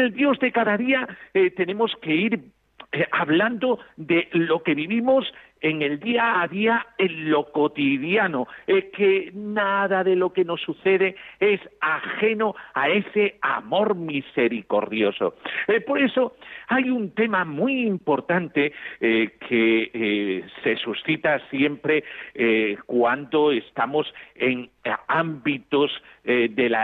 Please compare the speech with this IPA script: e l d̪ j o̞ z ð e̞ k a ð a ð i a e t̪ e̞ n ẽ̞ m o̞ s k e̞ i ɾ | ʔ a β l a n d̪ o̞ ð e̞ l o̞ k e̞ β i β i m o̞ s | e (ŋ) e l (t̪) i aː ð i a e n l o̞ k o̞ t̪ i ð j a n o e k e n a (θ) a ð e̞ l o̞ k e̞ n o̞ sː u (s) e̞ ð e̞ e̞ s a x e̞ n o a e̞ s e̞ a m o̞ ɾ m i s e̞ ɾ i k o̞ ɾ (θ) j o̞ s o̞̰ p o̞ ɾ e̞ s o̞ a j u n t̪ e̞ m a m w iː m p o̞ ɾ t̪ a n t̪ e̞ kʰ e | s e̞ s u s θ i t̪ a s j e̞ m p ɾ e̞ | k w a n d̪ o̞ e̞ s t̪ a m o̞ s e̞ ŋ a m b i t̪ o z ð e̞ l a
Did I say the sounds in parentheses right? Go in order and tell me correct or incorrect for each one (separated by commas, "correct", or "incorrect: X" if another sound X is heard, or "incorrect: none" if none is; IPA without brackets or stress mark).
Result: correct, incorrect: d̪, incorrect: ð, incorrect: θ, incorrect: ð